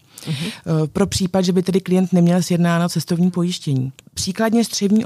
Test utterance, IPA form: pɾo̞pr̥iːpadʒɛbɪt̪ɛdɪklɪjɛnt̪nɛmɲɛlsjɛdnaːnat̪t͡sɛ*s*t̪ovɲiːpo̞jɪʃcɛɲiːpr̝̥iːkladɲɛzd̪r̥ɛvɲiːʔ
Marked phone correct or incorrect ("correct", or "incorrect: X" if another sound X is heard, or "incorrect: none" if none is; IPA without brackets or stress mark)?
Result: correct